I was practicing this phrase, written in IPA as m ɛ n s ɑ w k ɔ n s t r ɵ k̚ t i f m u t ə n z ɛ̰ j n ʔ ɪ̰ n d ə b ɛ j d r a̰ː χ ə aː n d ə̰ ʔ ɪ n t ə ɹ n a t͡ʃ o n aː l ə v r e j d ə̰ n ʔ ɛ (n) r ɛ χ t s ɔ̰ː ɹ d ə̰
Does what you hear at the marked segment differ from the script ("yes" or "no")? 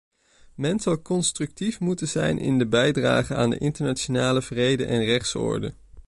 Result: no